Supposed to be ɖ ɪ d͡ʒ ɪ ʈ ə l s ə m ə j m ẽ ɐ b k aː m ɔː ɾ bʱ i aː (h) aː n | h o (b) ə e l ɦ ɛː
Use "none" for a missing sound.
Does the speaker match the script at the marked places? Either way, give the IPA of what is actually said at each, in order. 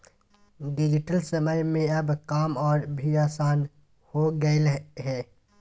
s, ɡ

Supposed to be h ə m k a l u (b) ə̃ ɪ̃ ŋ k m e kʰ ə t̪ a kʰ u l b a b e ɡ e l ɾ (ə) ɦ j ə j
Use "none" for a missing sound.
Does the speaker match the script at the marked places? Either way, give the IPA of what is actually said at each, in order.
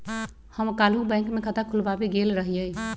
b, ə

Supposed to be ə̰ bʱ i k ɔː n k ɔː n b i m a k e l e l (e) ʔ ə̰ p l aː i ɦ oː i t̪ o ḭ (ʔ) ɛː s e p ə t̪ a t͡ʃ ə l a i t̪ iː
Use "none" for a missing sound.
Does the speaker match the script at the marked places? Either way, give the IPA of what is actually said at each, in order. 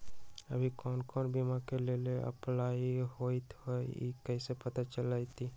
e, k

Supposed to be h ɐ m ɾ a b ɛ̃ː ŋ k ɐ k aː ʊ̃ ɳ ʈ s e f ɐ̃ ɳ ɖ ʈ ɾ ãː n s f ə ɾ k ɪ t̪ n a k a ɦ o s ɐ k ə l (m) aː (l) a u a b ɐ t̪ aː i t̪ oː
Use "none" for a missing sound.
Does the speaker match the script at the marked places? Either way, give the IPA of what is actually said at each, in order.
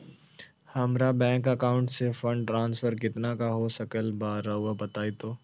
b, ɾ

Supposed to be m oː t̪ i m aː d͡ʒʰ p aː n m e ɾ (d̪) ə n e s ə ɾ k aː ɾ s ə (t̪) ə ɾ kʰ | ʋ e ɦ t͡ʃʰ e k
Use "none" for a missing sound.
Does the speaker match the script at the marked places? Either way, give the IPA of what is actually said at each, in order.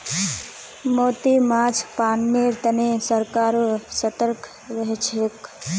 t̪, t̪

